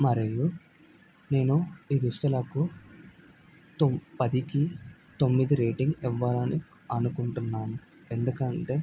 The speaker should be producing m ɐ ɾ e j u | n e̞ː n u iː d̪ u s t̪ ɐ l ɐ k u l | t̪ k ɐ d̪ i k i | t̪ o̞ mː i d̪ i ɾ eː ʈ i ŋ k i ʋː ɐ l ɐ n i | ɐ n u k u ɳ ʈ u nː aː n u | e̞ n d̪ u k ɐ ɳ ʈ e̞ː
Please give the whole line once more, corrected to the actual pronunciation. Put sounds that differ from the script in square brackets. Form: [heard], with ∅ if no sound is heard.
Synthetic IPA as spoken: m ɐ ɾ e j u | n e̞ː n u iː d̪ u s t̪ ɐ l ɐ k u [∅] | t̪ [p] ɐ d̪ i k i | t̪ o̞ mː i d̪ i ɾ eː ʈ i ŋ [ɡ] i ʋː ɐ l ɐ n i | ɐ n u k u ɳ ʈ u nː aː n u | e̞ n d̪ u k ɐ ɳ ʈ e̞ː